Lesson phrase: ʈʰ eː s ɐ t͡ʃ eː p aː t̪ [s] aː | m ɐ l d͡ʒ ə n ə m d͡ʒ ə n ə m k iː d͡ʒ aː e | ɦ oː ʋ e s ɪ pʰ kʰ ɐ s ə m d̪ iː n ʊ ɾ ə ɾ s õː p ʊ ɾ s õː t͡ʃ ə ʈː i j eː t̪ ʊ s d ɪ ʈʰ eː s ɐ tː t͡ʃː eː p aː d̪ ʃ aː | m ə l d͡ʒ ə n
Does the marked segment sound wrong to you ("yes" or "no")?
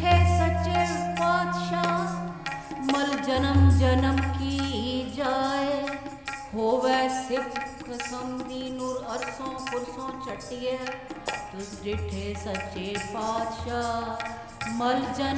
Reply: yes